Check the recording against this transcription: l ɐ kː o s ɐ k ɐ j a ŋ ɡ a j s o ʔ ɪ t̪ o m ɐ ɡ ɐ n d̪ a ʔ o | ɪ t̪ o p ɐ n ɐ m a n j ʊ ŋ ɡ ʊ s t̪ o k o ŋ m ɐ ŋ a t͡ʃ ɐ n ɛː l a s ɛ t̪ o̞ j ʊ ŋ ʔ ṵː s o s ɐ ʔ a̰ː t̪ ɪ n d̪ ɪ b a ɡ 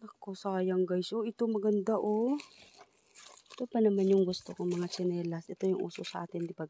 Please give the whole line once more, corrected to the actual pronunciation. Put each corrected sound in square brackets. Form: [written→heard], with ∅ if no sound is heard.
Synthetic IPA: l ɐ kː o s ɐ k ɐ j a ŋ ɡ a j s o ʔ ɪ t̪ o m ɐ ɡ ɐ n d̪ a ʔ o | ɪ t̪ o p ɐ n ɐ m a n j ʊ ŋ ɡ ʊ s t̪ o k o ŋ m ɐ ŋ a t͡ʃ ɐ n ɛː l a s ɛ t̪ o̞ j ʊ ŋ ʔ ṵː s o s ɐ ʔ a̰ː t̪ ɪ n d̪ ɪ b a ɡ